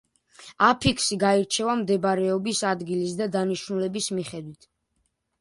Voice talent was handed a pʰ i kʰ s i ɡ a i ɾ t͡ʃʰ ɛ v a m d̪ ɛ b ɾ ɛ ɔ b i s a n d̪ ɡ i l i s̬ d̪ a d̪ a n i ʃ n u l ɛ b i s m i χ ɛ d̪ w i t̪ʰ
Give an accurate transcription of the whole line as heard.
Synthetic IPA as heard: a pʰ i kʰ s i ɡ a i ɾ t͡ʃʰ ɛ v a m d̪ ɛ b ɾ ɛ ɔ b i s a d̪ ɡ i l i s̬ d̪ a d̪ a n i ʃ n u l ɛ b i s m i χ ɛ d̪ w i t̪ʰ